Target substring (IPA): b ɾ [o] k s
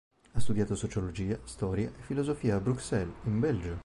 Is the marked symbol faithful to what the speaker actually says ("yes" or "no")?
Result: no